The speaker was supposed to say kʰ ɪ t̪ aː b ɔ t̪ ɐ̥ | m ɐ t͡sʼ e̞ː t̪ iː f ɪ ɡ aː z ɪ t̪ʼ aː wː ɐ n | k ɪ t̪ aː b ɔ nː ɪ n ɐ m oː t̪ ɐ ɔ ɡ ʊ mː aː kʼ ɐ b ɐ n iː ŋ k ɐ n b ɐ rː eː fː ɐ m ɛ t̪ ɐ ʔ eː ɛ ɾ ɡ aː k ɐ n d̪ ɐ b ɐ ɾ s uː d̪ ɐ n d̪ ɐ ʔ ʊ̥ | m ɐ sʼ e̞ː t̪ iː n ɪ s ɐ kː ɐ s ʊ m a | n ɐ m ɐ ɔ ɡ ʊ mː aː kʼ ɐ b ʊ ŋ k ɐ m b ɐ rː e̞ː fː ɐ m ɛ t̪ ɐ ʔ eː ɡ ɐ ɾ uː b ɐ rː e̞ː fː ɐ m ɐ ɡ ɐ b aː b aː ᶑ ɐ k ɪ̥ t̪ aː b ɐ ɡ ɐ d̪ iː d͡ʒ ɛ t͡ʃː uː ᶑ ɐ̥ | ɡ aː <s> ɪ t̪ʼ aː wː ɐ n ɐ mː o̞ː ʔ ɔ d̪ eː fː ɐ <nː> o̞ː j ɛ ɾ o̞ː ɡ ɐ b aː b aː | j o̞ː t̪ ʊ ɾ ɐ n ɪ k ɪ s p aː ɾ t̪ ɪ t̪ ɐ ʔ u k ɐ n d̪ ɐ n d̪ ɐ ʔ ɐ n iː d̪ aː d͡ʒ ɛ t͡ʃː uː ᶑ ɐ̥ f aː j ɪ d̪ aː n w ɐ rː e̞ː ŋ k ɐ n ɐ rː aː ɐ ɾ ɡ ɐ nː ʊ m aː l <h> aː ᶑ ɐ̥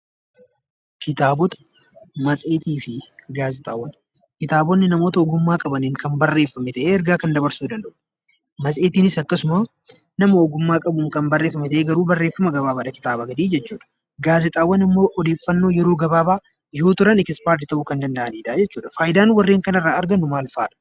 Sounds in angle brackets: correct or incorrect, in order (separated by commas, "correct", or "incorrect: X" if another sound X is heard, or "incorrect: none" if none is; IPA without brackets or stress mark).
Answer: incorrect: z, correct, incorrect: f